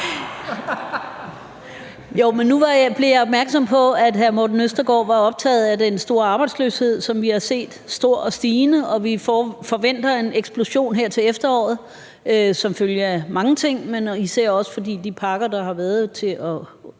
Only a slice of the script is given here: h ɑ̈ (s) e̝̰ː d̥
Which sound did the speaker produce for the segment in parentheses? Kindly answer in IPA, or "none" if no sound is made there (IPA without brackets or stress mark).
s